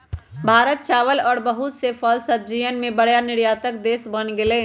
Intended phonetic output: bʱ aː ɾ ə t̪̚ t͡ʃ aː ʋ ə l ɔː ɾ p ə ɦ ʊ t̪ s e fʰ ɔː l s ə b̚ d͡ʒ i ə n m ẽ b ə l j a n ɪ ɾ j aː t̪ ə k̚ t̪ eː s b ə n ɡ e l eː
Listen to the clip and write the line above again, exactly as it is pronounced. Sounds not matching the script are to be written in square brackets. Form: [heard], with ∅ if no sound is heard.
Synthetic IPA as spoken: bʱ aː ɾ ə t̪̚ t͡ʃ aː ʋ ə l ɔː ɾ [b] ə ɦ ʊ t̪ s e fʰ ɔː l s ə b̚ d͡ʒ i ə n m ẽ b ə [ɽ] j a n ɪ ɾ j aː t̪ ə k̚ [d̪] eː s b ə n ɡ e l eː